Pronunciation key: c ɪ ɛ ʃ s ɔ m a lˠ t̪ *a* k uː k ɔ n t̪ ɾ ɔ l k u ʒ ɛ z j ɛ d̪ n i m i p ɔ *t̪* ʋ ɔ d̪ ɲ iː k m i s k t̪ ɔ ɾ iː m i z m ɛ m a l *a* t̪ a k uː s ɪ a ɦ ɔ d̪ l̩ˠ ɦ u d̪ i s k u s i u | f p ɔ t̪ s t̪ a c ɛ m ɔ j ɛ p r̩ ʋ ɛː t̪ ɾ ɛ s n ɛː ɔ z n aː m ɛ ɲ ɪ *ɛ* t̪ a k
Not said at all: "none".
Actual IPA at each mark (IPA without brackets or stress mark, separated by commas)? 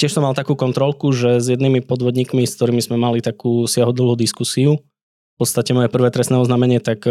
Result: a, d̪, i, ɛ